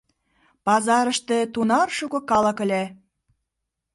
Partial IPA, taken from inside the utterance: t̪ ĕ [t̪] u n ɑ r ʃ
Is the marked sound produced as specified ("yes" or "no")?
yes